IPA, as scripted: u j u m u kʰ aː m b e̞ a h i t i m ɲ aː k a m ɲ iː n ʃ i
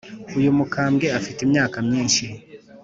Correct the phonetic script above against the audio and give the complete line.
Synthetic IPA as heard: u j u m u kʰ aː m ɡ e̞ a f i t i m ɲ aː k a m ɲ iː n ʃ i